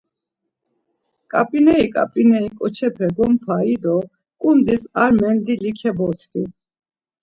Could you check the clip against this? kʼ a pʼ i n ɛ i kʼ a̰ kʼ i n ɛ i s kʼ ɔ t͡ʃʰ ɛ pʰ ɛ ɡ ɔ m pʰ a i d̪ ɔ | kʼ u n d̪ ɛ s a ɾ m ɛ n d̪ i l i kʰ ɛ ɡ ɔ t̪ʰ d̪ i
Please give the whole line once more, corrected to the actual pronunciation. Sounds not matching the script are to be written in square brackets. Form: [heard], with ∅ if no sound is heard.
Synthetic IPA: kʼ a pʼ i n ɛ i kʼ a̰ [pʼ] i n ɛ i [∅] kʼ ɔ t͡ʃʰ ɛ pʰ ɛ ɡ ɔ m pʰ a i d̪ ɔ | kʼ u n d̪ [i] s a ɾ m ɛ n d̪ i l i kʰ ɛ [b] ɔ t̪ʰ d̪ i